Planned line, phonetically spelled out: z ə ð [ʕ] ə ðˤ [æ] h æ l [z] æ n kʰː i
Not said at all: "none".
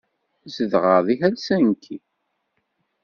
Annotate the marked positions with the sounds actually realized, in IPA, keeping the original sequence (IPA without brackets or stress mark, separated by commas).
ʁ, i, s